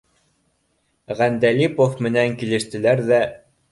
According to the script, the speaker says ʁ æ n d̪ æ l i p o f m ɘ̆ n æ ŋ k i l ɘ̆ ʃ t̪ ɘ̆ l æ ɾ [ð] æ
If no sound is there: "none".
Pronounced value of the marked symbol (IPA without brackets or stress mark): ð